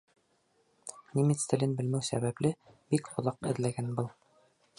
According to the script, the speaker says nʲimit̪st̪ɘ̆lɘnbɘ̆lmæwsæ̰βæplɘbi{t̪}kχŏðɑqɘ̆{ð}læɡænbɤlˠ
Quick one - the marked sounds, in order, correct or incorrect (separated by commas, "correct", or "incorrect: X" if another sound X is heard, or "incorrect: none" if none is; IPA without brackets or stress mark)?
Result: incorrect: none, correct